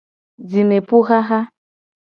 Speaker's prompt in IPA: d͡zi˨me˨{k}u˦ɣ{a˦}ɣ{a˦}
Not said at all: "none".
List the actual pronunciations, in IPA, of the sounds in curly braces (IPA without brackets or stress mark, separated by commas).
p, a˦, a˦